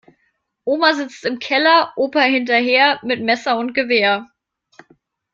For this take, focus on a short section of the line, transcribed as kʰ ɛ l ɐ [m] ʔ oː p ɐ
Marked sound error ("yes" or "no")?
yes